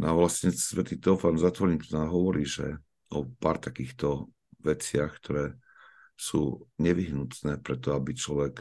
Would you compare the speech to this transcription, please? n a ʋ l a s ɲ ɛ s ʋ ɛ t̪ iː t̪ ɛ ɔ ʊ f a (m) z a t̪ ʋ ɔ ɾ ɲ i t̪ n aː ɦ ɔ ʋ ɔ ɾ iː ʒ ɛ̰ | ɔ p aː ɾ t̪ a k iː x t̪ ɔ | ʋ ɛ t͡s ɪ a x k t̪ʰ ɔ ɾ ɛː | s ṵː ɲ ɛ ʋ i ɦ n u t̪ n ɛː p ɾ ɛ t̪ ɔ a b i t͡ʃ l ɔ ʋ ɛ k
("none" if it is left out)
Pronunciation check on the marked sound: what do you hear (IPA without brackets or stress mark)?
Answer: n